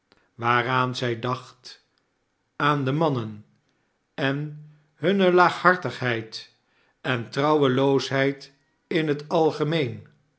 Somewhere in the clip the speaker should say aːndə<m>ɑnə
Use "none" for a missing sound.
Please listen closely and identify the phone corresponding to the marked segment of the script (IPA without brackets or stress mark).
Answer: m